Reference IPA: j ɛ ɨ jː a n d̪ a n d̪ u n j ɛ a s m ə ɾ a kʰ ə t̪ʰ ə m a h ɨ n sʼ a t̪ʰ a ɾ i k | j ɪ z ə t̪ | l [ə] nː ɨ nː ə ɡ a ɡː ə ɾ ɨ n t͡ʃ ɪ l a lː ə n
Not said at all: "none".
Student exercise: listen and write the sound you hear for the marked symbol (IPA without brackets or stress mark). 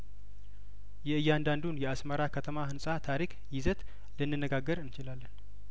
ə